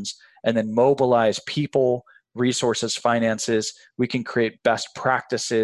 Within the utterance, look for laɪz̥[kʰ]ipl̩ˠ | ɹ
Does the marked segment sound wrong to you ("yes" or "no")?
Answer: yes